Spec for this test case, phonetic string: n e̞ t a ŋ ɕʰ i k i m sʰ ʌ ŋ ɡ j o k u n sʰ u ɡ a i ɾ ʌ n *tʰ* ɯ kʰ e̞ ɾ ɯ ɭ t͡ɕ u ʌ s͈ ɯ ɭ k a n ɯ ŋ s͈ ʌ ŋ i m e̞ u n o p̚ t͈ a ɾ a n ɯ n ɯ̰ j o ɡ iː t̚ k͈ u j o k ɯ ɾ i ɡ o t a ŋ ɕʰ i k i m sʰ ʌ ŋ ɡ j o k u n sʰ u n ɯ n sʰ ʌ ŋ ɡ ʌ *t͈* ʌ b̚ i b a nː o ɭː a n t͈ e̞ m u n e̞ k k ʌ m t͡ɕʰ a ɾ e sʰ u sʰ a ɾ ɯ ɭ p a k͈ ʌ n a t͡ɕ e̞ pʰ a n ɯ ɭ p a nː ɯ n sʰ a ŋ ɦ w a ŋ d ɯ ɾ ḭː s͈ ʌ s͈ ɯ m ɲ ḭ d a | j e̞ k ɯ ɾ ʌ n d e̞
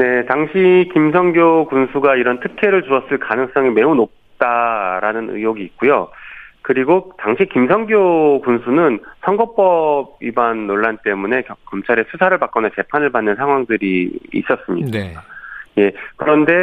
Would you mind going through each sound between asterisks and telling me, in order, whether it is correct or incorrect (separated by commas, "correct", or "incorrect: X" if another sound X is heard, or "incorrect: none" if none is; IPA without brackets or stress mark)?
correct, incorrect: p͈